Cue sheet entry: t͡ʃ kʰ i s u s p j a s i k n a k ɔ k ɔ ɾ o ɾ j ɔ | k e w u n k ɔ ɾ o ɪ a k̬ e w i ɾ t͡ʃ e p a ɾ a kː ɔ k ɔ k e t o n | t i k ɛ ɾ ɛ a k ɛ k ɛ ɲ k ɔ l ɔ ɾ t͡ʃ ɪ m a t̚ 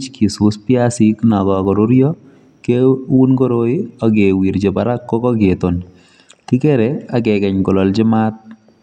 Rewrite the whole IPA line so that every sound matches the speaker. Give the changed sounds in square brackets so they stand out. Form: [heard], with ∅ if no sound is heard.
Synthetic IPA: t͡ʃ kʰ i s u s p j a s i k n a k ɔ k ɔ ɾ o ɾ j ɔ | k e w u n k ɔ ɾ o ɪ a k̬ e w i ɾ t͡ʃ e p a ɾ a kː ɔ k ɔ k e t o n | t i k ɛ ɾ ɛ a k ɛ k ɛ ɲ k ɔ l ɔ [l] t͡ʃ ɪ m a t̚